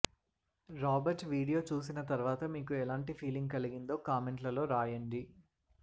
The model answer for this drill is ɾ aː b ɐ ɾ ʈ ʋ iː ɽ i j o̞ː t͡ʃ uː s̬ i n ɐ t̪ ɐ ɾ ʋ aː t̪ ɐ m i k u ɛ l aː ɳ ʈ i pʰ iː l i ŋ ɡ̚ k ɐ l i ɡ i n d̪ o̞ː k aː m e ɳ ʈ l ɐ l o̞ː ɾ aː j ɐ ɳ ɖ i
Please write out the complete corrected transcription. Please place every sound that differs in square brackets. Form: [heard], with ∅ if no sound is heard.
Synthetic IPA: ɾ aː b ɐ ɾ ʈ ʋ iː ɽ i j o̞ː t͡ʃ uː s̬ i n ɐ t̪ ɐ ɾ ʋ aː t̪ ɐ m [iː] k u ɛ l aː ɳ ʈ i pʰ iː l i ŋ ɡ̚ k ɐ l i ɡ i n d̪ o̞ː k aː m e ɳ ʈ l ɐ l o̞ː ɾ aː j ɐ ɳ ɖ i